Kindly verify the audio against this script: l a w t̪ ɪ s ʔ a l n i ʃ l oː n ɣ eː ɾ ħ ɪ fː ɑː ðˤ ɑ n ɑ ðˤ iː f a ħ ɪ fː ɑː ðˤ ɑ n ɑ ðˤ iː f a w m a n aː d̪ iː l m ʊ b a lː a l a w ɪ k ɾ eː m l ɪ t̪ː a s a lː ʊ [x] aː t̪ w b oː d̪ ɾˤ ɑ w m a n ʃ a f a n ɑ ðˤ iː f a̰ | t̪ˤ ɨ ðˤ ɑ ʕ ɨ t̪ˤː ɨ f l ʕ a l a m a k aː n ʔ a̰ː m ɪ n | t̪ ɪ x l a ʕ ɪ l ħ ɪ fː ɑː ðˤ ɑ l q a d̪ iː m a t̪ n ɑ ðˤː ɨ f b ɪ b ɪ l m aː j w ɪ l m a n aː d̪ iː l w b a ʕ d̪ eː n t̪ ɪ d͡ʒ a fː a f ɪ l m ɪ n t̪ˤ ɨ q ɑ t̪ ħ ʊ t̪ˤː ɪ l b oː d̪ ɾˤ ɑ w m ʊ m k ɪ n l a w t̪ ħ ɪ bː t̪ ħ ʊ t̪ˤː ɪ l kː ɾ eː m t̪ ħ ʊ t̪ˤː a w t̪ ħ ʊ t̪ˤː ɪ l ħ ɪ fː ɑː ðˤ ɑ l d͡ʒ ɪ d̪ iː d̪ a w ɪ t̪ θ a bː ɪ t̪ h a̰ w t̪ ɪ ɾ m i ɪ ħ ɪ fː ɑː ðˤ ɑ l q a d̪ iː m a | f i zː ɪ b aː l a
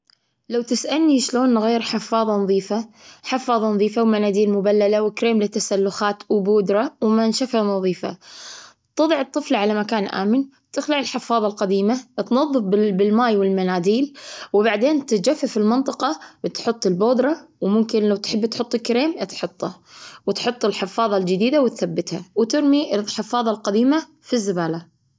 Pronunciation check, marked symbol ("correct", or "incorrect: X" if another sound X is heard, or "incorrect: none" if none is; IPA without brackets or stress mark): correct